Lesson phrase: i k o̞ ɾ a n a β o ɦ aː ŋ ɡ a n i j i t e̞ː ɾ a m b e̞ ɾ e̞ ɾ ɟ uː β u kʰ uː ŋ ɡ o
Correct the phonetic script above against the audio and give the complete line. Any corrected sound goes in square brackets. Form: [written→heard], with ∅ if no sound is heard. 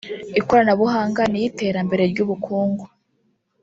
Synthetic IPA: i k o̞ ɾ a n a β [o→u] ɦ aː ŋ ɡ a n i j i t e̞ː ɾ a m b e̞ ɾ e̞ ɾ ɟ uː β u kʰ uː ŋ ɡ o